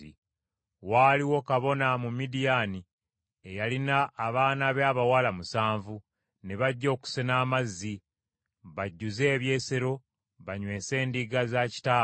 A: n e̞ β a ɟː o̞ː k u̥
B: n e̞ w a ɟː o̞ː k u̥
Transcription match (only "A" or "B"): A